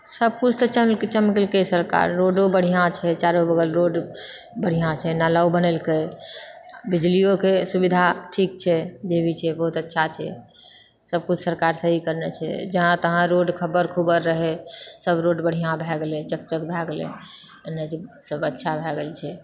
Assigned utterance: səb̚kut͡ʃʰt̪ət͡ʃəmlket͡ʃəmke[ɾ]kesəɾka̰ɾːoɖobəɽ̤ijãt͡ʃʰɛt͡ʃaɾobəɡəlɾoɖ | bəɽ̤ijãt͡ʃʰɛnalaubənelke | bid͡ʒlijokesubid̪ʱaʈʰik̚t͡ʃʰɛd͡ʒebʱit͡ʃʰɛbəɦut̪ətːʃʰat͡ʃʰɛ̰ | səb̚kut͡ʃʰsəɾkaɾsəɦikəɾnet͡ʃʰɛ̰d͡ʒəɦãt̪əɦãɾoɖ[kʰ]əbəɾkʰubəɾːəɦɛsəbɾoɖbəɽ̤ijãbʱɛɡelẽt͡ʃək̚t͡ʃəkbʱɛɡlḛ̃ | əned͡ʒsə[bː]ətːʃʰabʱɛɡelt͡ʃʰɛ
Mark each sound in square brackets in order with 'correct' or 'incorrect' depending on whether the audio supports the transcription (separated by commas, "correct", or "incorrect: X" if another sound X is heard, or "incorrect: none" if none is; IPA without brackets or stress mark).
incorrect: l, correct, incorrect: b